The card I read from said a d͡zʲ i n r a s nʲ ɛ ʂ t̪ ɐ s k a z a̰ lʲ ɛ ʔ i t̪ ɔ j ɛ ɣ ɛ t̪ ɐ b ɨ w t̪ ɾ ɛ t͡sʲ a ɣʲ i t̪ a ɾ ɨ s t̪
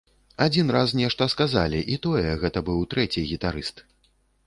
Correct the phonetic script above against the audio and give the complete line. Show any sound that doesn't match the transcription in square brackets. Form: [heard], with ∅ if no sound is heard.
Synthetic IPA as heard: a d͡zʲ i n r a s nʲ ɛ ʂ t̪ ɐ s k a z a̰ lʲ [i] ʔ i t̪ ɔ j ɛ ɣ ɛ t̪ ɐ b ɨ w t̪ ɾ ɛ t͡sʲ [i] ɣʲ i t̪ a ɾ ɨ s t̪